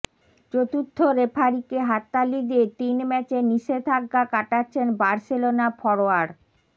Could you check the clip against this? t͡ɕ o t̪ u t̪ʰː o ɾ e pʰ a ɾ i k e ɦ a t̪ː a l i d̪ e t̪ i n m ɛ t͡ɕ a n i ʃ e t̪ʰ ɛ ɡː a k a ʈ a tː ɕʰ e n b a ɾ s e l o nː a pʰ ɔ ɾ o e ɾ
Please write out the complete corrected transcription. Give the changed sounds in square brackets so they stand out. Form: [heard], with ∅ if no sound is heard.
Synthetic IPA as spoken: t͡ɕ o t̪ u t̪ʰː o ɾ e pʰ a ɾ i k e ɦ a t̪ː a l i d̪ e t̪ i n m ɛ t͡ɕ [e] n i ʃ e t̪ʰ [a] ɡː a k a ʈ a tː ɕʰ e n b a ɾ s e l o [n] a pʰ ɔ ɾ o [a] ɾ